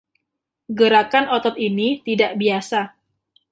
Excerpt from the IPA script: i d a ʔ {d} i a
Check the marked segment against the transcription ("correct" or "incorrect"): incorrect